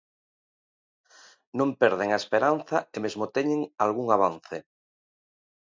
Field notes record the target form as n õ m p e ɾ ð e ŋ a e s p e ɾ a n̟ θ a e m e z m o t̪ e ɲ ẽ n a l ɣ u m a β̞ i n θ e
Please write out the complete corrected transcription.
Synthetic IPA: n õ m p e ɾ ð e ŋ a e s p e ɾ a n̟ θ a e m e z m o t̪ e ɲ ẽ ŋ a l ɣ u ŋ a β̞ a n θ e